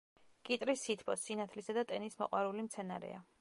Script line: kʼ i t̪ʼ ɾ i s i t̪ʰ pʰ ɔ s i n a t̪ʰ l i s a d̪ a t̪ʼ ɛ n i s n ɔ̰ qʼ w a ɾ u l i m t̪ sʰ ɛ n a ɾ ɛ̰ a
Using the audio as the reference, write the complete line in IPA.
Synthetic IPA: kʼ i t̪ʼ ɾ i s i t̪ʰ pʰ ɔ s i n a t̪ʰ l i s a d̪ a t̪ʼ ɛ n i s m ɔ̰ qʼ w a ɾ u l i m t̪ sʰ ɛ n a ɾ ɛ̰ a